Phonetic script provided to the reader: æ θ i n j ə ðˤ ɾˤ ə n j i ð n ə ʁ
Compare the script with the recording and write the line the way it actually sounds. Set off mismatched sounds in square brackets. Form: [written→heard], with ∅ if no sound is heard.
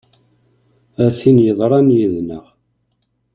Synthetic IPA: æ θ i n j ə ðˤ ɾˤ [ə→ɑ] n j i ð n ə ʁ